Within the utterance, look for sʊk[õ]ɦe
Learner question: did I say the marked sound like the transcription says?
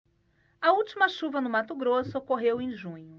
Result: no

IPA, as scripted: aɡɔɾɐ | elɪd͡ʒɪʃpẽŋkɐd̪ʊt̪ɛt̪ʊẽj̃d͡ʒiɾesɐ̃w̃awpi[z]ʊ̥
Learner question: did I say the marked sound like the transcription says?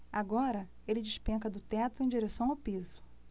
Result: yes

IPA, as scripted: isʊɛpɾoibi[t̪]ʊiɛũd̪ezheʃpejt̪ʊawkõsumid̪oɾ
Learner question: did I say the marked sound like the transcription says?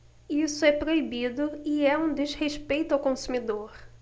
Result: no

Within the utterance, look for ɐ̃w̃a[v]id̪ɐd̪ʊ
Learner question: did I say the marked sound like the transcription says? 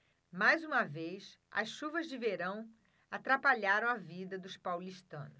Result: yes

